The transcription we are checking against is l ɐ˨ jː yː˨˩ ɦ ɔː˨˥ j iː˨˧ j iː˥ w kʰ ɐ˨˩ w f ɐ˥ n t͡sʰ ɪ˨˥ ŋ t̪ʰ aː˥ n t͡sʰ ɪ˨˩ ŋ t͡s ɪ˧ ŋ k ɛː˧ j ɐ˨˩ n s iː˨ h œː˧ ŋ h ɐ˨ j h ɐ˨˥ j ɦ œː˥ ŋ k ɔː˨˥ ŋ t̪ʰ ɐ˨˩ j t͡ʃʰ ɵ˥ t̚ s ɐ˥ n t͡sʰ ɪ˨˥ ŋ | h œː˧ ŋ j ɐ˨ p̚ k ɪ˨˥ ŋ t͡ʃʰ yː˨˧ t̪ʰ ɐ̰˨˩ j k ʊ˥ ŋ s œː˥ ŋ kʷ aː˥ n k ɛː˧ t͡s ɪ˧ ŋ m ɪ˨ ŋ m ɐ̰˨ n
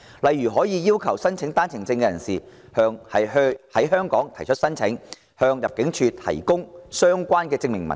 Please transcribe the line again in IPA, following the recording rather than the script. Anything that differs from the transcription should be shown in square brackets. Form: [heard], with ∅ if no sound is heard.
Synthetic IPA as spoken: l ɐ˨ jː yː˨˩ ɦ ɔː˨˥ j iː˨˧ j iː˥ w kʰ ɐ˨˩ w [s] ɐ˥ n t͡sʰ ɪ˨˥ ŋ [t̪] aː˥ n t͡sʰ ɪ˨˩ ŋ t͡s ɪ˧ ŋ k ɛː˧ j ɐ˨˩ n s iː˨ h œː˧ ŋ h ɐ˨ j h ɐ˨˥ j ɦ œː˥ ŋ k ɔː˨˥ ŋ t̪ʰ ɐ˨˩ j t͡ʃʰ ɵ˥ t̚ s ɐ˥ n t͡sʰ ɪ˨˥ ŋ | h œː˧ ŋ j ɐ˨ p̚ k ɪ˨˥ ŋ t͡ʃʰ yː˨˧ t̪ʰ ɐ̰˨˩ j k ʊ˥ ŋ s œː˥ ŋ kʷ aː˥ n k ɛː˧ t͡s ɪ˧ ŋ m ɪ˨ ŋ m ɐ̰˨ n